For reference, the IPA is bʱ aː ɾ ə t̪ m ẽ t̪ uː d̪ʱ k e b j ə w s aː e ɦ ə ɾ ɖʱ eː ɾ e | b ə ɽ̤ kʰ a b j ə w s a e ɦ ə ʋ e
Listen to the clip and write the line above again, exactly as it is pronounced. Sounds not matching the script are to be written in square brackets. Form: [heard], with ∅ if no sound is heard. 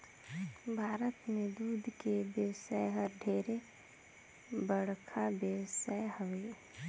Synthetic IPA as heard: bʱ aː ɾ ə t̪ m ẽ [d̪] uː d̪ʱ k e b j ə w s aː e ɦ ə ɾ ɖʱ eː ɾ e | b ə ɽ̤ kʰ a b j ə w s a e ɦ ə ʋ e